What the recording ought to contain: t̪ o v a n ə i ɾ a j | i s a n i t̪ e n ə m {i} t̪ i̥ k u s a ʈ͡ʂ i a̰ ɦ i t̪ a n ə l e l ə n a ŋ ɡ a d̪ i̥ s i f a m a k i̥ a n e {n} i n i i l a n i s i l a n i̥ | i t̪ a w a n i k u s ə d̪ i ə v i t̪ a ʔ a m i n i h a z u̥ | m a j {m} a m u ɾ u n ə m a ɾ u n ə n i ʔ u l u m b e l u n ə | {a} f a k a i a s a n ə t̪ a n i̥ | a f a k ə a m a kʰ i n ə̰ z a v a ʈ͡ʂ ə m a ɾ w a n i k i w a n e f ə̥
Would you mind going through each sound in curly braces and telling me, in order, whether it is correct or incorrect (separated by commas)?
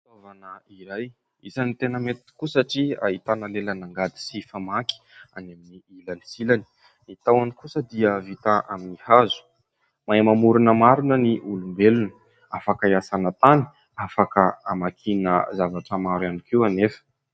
incorrect, incorrect, correct, correct